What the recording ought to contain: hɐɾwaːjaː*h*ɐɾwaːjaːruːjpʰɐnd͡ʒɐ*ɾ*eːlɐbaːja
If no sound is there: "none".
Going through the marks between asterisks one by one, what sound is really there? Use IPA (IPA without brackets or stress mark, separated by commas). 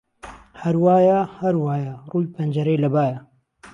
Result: h, ɾ